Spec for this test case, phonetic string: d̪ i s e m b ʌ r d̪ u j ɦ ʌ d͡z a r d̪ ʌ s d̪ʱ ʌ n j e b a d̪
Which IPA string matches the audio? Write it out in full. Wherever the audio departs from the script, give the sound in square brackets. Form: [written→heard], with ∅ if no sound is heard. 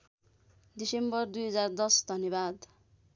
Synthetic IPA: d̪ i s e m b ʌ r d̪ u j ɦ ʌ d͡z a r d̪ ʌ s d̪ʱ ʌ n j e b a d̪